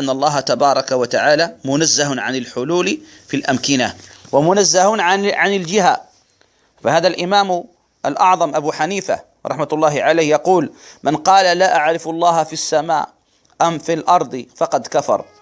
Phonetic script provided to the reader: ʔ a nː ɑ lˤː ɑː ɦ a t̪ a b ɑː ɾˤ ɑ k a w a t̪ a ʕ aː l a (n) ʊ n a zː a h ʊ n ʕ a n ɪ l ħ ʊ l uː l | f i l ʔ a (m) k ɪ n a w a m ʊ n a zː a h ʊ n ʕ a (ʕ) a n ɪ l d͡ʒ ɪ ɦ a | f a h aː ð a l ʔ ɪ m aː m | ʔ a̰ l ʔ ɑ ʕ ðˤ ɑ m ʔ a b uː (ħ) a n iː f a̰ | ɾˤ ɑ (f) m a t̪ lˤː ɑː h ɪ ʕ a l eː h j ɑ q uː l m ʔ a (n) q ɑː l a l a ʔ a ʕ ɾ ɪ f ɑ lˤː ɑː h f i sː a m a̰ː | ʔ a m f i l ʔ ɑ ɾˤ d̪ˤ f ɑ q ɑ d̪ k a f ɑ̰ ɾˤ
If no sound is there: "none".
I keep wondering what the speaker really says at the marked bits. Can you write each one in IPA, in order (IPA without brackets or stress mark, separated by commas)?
m, m, ʕ, ħ, ħ, n